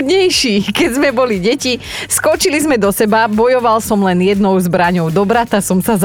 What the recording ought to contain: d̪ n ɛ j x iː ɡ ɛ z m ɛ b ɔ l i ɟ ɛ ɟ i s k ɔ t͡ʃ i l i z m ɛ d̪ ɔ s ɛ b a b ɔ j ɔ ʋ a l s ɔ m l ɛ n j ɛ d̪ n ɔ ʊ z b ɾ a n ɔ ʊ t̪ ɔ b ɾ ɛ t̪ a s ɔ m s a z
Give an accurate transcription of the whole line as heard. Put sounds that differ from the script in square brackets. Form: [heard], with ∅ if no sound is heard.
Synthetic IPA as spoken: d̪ [ɲ] ɛ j [ʃ] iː [k] ɛ z m ɛ b ɔ l i ɟ ɛ [c] i s k ɔ t͡ʃ i l i z m ɛ d̪ ɔ s ɛ b a b ɔ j ɔ ʋ a l s ɔ m l ɛ n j ɛ d̪ n ɔ ʊ z b ɾ a [ɲ] ɔ ʊ [d̪] ɔ b ɾ [a] t̪ a s ɔ m s a z